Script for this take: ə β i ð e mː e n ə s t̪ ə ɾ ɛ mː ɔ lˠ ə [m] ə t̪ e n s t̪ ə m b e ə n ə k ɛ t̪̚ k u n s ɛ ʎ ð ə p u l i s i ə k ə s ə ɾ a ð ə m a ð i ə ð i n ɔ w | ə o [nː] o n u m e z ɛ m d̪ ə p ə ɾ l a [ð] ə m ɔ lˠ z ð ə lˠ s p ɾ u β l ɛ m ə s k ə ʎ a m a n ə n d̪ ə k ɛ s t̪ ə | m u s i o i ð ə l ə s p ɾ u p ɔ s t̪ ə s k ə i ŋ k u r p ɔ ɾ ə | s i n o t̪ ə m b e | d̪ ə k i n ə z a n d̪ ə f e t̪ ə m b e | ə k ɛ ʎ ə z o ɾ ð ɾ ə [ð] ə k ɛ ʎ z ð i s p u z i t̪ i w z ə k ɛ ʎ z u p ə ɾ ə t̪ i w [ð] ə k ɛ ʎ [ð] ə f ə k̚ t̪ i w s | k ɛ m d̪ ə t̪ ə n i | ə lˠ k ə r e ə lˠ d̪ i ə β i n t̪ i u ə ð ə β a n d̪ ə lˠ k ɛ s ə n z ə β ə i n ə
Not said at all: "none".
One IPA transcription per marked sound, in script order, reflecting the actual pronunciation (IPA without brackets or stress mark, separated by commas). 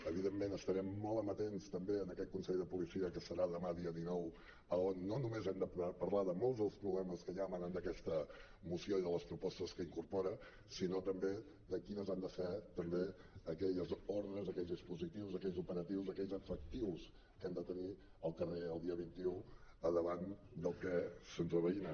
m, nː, ð, z, z, z